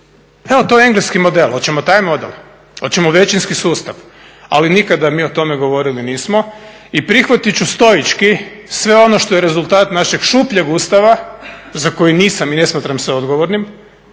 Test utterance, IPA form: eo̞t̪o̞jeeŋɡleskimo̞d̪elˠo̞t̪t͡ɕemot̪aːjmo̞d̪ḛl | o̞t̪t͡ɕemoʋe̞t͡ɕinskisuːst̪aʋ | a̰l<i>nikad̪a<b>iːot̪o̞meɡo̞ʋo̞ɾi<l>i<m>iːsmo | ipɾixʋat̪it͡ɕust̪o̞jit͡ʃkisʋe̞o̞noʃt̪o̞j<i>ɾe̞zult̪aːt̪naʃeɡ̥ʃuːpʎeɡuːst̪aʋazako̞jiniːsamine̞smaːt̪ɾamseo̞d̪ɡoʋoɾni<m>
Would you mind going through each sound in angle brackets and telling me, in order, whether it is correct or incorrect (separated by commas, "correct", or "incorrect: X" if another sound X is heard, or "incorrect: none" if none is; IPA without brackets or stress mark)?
correct, incorrect: m, correct, incorrect: n, incorrect: e, correct